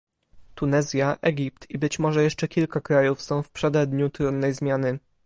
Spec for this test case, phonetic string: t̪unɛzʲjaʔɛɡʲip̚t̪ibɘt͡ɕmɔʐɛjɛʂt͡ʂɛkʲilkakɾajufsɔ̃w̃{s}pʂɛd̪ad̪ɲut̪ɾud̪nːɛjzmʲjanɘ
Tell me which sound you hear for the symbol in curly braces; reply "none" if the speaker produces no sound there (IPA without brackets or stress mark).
f